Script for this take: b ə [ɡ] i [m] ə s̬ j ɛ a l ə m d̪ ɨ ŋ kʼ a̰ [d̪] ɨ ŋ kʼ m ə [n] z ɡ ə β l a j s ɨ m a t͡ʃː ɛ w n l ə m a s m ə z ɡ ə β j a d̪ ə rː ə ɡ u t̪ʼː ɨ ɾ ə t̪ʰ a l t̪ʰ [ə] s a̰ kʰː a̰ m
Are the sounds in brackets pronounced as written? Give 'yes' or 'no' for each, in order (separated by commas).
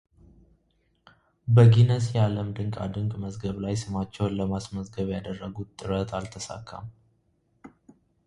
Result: yes, no, yes, no, yes